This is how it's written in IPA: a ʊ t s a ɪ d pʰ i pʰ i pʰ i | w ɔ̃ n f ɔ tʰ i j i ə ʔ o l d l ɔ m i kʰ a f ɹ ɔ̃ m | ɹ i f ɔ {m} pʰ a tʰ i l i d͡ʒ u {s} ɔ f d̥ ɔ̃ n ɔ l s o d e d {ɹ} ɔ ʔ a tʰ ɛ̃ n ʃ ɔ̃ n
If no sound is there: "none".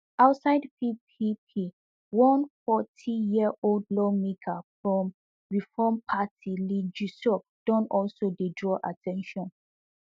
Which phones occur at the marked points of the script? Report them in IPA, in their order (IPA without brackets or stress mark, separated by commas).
m, s, ɹ